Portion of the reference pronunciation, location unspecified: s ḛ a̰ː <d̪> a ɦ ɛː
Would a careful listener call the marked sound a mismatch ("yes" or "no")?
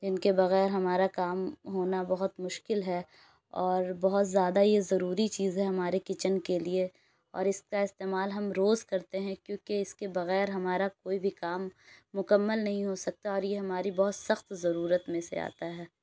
yes